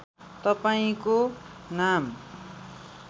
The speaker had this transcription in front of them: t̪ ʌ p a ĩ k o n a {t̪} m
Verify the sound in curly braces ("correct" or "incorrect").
incorrect